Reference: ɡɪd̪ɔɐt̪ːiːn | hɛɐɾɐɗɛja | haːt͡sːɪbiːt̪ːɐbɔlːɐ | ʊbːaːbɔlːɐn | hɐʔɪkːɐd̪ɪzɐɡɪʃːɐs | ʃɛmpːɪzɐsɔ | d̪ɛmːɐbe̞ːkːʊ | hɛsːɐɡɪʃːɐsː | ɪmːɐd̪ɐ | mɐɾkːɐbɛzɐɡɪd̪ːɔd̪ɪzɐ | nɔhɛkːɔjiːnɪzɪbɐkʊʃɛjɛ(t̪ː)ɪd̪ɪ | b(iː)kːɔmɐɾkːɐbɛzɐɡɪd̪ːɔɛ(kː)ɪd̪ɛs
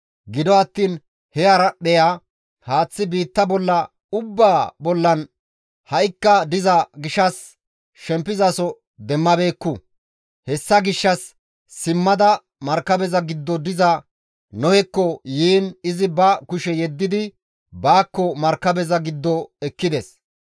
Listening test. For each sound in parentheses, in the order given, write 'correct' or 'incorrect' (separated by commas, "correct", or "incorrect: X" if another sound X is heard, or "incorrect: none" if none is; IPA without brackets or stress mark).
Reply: incorrect: d̪ː, incorrect: aː, correct